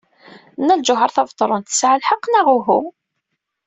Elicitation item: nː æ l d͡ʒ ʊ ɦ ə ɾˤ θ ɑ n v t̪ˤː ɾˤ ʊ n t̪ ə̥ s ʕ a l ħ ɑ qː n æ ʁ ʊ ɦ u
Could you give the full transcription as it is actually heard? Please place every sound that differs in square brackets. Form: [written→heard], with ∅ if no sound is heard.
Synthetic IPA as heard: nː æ l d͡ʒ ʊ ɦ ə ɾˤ θ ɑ [n→∅] v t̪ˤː ɾˤ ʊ n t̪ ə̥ s ʕ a l ħ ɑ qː n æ ʁ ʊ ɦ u